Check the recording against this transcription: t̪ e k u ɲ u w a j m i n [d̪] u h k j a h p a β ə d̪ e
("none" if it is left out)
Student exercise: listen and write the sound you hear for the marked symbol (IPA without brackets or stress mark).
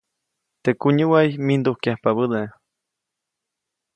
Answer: d̪